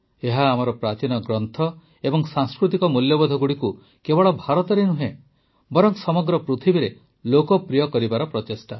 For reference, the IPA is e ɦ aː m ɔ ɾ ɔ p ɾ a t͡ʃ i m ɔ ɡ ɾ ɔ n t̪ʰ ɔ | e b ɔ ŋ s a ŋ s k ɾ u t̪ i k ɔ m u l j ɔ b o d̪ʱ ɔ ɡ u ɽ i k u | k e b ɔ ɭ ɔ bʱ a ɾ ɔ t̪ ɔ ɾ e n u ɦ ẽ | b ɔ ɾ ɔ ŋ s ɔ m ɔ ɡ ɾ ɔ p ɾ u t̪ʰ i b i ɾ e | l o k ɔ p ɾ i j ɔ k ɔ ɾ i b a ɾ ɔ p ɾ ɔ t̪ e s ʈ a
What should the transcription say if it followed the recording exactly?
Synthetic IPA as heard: e ɦ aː m ɔ ɾ ɔ p ɾ a t͡ʃ i n ɔ ɡ ɾ ɔ n t̪ʰ ɔ | e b ɔ ŋ s a ŋ s k ɾ u t̪ i k ɔ m u l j ɔ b ɔ d̪ʱ ɔ ɡ u ɽ i k u | k e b ɔ ɭ ɔ bʱ a ɾ ɔ t̪ ɔ ɾ e n u ɦ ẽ | b ɔ ɾ ɔ ŋ s ɔ m ɔ ɡ ɾ ɔ p ɾ u t̪ʰ i b i ɾ e | l o k ɔ p ɾ i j ɔ k ɔ ɾ i b a ɾ ɔ p ɾ ɔ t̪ e s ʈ a

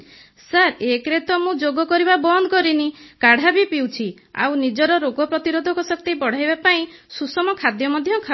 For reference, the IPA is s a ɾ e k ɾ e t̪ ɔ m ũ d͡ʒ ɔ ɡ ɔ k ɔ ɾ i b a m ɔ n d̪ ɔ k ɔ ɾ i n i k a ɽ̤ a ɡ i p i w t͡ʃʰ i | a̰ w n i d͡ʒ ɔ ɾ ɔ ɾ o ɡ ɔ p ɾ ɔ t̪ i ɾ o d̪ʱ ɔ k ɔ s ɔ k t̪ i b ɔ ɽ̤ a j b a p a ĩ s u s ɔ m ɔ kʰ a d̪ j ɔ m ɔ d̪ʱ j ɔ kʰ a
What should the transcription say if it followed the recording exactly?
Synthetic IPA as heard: s a ɾ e k ɾ e t̪ ɔ m ũ d͡ʒ o ɡ ɔ k ɔ ɾ i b a b ɔ n d̪ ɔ k ɔ ɾ i n i k a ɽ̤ a b i p i w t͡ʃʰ i | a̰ w n i d͡ʒ ɔ ɾ ɔ ɾ o ɡ ɔ p ɾ ɔ t̪ i ɾ o d̪ʱ ɔ k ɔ s ɔ k t̪ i b ɔ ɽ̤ a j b a p a ĩ s u s ɔ m ɔ kʰ a d̪ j ɔ m ɔ d̪ʱ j ɔ kʰ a

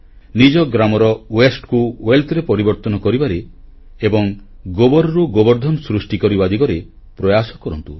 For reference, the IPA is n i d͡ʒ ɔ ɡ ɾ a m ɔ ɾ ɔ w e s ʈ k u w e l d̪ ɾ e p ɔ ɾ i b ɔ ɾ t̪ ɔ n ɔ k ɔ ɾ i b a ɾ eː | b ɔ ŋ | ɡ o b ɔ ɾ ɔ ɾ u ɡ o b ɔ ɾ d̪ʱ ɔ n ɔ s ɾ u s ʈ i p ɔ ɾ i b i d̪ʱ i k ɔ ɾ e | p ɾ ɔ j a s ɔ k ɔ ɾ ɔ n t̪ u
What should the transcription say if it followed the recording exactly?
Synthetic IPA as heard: n i d͡ʒ ɔ ɡ ɾ a m ɔ ɾ ɔ w e s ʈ k u w e l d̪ ɾ e p ɔ ɾ i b ɔ ɾ t̪ ɔ n ɔ k ɔ ɾ i b a ɾ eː | b ɔ ŋ | ɡ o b ɔ ɾ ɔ ɾ u ɡ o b ɔ ɾ d̪ʱ ɔ n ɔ s ɾ u s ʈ i k ɔ ɾ i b a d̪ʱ i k ɔ ɾ e | p ɾ ɔ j a s ɔ k ɔ ɾ ɔ n t̪ u

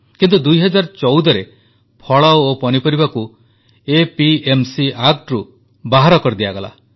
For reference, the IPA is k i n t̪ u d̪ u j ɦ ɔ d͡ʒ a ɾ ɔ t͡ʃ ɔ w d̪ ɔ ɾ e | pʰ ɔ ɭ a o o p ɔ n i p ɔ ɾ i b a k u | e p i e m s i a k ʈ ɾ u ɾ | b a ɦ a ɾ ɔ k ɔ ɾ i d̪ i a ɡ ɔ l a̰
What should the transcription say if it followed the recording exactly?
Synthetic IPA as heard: k i n t̪ u d̪ u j ɦ ɔ d͡ʒ a ɾ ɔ t͡ʃ ɔ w d̪ ɔ ɾ e | pʰ ɔ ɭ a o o p ɔ n i p ɔ ɾ i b a k u | e p i e m s i a k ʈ ɾ u | b a ɦ a ɾ ɔ k ɔ ɾ i d̪ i a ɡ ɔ l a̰

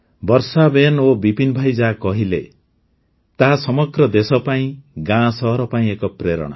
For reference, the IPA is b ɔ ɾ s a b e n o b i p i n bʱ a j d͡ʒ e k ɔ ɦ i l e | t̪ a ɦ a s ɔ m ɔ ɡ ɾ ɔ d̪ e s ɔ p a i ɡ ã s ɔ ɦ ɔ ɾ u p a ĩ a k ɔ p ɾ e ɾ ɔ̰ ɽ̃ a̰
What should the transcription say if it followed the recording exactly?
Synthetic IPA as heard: b ɔ ɾ s a b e n o b i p i n bʱ a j d͡ʒ a k ɔ ɦ i l e | t̪ a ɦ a s ɔ m ɔ ɡ ɾ ɔ d̪ e s ɔ p a ĩ ɡ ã s ɔ ɦ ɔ ɾ ɔ p a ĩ e k ɔ p ɾ e ɾ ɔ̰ ɽ̃ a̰

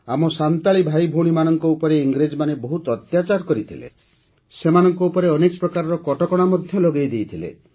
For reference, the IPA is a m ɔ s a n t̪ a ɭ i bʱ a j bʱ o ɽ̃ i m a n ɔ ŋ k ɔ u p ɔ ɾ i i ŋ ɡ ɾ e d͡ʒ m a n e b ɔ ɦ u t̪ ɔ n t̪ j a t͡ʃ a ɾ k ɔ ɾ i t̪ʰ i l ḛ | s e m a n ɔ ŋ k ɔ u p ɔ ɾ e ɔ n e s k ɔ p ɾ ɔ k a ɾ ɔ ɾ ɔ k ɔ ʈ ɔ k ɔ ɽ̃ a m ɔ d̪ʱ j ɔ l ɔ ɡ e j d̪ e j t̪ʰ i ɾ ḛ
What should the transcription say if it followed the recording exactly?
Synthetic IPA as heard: a m ɔ s a n t̪ a ɭ i bʱ a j bʱ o ɽ̃ i m a n ɔ ŋ k ɔ u p ɔ ɾ e i ŋ ɡ ɾ e d͡ʒ m a n e b ɔ ɦ u t̪ ɔ t̪ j a t͡ʃ a ɾ k ɔ ɾ i t̪ʰ i l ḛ | s e m a n ɔ ŋ k ɔ u p ɔ ɾ e ɔ n e k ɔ p ɾ ɔ k a ɾ ɔ ɾ ɔ k ɔ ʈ ɔ k ɔ ɽ̃ a m ɔ d̪ʱ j ɔ l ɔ ɡ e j d̪ e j t̪ʰ i l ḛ

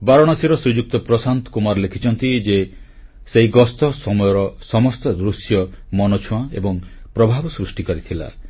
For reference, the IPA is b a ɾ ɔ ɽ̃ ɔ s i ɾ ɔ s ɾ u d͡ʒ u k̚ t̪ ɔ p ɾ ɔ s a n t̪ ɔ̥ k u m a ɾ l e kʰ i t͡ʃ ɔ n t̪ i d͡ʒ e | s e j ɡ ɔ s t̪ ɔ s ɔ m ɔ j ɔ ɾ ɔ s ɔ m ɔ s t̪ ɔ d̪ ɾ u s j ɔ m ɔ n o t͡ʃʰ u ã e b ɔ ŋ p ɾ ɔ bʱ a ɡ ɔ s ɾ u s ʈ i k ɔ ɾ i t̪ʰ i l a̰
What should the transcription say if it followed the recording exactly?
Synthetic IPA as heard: b a ɾ ɔ ɽ̃ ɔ s i ɾ ɔ s ɾ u d͡ʒ u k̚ t̪ ɔ p ɾ ɔ s a n t̪ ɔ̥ k u m a ɾ l e kʰ i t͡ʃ ɔ n t̪ i d͡ʒ e | s e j ɡ ɔ s t̪ ɔ s ɔ m ɔ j ɔ ɾ ɔ s ɔ m ɔ s t̪ ɔ d̪ ɾ u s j ɔ m ɔ n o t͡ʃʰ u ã e b ɔ ŋ p ɾ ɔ bʱ a b ɔ s ɾ u s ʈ i k ɔ ɾ i t̪ʰ i l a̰

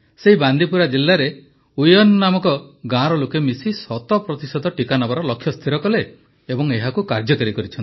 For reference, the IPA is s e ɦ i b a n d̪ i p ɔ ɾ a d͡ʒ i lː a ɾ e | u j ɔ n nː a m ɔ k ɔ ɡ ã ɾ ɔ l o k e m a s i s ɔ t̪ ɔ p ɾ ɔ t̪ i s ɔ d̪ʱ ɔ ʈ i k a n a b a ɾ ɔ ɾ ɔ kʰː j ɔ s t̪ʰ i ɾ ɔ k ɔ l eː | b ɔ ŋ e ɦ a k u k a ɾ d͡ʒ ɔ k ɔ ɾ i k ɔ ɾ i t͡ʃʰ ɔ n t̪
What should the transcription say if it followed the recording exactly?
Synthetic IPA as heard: s e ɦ i b a n d̪ i p u ɾ a d͡ʒ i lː a ɾ e | u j ɔ n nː a m ɔ k ɔ ɡ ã ɾ ɔ l o k e m i s i s ɔ t̪ ɔ p ɾ ɔ t̪ i s ɔ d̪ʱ ɔ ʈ i k a n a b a ɾ ɔ l ɔ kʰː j ɔ s t̪ʰ i ɾ ɔ k ɔ l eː | b ɔ ŋ e ɦ a k u k a ɾ d͡ʒ ɔ k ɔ ɾ i k ɔ ɾ i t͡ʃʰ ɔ n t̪

